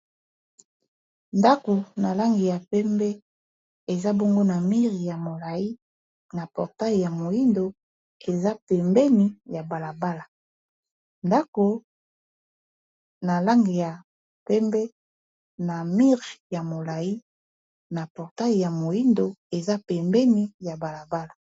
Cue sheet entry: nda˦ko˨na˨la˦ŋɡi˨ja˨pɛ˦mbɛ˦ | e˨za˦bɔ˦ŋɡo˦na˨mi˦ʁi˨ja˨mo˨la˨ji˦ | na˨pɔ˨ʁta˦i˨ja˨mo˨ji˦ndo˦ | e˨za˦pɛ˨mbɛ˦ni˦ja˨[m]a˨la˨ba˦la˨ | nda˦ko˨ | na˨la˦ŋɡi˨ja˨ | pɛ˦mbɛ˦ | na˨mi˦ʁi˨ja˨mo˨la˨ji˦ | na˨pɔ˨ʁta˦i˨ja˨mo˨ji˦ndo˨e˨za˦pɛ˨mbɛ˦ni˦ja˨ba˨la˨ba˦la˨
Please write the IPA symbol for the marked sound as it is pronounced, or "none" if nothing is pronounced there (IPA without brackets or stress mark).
b